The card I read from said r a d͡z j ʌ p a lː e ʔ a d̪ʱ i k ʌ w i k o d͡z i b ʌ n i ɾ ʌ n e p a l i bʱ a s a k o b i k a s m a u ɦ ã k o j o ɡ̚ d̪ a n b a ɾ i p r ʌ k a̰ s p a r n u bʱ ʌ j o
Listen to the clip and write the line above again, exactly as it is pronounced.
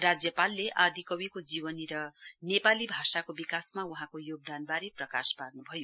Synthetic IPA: r a d͡z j ʌ p a lː e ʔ a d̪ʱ i k ʌ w i k o d͡z i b ʌ n i ɾ ʌ n e p a l i bʱ a s a k o b i k a s m a u ɦ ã k o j o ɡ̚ d̪ a n b a ɾ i p r ʌ k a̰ s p a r n u bʱ ʌ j o